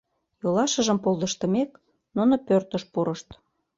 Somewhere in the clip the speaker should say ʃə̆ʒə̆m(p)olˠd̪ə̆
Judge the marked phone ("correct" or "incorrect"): correct